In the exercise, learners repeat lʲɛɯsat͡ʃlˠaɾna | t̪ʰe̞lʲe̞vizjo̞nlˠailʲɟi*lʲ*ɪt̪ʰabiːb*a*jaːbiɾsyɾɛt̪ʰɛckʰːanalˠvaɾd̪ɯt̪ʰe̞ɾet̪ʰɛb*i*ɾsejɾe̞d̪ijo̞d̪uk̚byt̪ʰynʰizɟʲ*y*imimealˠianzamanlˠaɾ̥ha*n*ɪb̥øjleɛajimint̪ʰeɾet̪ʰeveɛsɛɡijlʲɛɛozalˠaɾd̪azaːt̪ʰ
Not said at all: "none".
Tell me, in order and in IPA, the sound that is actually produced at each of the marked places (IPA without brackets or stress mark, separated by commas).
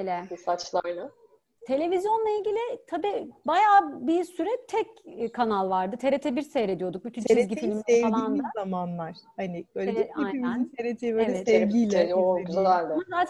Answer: lʲ, a, i, i, n